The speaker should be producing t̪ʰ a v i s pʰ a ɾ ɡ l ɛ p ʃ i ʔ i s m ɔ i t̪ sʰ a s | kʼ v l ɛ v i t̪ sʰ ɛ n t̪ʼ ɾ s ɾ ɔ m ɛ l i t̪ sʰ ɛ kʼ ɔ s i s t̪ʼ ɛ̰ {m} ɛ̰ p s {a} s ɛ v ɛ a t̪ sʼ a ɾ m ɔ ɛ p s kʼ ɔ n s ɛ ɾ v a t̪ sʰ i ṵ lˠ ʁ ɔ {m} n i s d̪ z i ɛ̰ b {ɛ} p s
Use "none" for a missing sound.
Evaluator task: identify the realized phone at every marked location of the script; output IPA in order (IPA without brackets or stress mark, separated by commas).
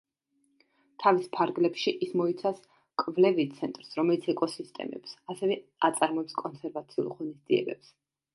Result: m, a, none, ɛ